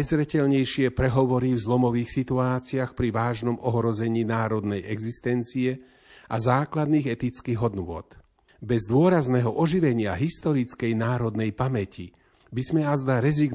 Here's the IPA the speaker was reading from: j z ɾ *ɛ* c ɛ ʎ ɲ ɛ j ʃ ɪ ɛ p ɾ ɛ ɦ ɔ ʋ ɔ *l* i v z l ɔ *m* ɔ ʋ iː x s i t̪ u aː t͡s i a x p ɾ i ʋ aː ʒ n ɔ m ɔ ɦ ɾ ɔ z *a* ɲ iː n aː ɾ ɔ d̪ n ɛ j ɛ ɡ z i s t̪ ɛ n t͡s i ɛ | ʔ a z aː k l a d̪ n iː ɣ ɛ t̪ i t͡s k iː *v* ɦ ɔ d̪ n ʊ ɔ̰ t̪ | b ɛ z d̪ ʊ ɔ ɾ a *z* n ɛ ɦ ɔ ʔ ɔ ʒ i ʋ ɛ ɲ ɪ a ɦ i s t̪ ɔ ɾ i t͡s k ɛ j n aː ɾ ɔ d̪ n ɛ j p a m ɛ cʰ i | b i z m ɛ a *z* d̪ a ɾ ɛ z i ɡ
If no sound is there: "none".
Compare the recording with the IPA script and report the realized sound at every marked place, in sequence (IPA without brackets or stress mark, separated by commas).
ɛ, ɾ, m, ɛ, ɣ, z, z